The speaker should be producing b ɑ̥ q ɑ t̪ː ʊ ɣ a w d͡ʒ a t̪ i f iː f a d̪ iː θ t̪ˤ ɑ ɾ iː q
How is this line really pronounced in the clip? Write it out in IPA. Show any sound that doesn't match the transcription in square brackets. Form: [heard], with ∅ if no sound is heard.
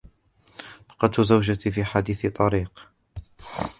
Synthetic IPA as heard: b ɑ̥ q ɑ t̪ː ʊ [z] a w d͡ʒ a t̪ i f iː [ħ] a d̪ iː θ t̪ˤ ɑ ɾ iː q